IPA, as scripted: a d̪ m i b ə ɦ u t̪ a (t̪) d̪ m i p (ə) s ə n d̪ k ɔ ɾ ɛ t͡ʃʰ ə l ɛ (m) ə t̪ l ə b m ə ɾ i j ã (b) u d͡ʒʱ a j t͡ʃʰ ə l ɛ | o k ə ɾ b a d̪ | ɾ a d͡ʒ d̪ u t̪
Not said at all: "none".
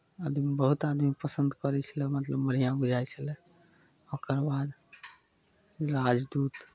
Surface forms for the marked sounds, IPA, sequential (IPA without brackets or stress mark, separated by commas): none, ə, m, b